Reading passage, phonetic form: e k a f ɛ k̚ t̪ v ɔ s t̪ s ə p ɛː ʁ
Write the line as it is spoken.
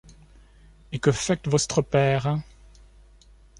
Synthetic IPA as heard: e k ə f ɛ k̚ t̪ v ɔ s t̪ χ ə p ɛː ʁ